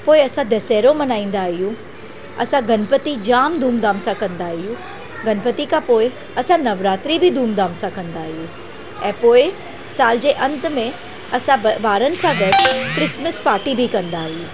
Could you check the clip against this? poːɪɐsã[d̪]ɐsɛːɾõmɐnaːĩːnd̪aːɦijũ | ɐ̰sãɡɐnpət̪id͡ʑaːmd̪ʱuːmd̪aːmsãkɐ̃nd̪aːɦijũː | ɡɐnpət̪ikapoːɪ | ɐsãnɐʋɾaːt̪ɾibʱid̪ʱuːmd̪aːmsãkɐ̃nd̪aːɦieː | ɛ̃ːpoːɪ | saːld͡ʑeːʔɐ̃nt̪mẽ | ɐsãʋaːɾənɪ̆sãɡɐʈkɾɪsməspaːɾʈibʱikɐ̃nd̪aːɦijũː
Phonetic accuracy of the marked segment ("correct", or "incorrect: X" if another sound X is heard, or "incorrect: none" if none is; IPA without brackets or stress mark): correct